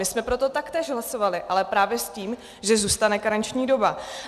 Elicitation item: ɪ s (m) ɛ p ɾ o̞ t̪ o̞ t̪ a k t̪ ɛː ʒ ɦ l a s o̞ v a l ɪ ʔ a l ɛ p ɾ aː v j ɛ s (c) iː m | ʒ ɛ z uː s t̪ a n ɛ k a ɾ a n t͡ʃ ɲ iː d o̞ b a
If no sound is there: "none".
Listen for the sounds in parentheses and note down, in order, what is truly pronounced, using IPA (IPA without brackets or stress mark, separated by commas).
m, c